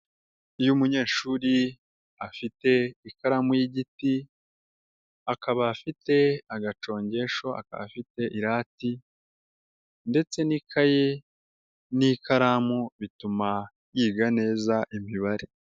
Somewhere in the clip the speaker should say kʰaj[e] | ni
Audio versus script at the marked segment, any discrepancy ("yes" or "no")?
no